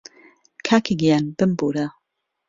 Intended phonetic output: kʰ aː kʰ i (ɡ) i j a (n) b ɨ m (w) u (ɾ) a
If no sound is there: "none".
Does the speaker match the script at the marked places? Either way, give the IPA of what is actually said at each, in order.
ɡ, n, b, ɾ

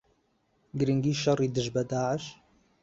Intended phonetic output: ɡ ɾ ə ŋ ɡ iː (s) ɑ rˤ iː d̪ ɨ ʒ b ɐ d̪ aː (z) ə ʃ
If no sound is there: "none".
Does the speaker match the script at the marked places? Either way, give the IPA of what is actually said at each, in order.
ʃ, ʕ

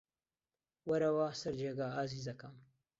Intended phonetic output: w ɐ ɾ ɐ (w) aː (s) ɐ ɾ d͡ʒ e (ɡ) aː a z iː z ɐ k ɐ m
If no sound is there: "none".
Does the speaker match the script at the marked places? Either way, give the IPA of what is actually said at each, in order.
w, s, ɡ

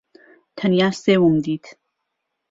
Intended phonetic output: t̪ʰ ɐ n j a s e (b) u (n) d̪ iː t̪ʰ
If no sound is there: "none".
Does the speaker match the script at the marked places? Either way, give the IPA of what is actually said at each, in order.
w, m

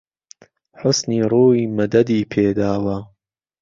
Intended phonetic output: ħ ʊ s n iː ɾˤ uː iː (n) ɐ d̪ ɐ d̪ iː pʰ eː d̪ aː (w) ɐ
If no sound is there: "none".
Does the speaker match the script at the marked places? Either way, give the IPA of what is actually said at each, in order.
m, w

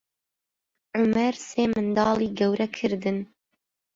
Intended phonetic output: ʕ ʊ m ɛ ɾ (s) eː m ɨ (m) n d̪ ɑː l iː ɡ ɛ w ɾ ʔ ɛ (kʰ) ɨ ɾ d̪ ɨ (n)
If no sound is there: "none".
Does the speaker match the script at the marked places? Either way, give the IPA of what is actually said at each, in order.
s, none, kʰ, n

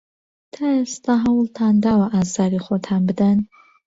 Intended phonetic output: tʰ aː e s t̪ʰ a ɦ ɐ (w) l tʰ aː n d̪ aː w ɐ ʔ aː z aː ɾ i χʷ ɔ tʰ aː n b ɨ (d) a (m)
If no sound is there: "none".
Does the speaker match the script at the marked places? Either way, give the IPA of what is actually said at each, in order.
w, d, n

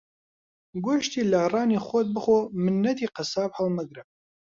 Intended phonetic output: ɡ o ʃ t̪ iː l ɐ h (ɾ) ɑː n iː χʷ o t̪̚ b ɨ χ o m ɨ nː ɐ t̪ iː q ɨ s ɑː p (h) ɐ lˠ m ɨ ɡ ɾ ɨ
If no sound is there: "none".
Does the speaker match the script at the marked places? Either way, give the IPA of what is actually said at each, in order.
r, h

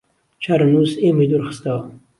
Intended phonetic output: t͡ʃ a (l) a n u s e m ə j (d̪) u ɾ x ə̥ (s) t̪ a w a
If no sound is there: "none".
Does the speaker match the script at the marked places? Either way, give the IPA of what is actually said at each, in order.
ɾ, d̪, s

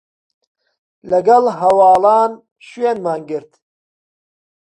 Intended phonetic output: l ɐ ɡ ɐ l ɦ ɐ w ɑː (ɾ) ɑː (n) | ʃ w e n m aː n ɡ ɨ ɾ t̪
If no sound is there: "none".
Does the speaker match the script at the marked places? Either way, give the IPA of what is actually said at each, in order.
l, n

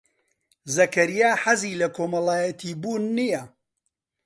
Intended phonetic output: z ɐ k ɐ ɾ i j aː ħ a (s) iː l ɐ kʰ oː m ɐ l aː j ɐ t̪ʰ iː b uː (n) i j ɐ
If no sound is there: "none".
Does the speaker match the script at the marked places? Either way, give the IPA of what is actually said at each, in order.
z, nː

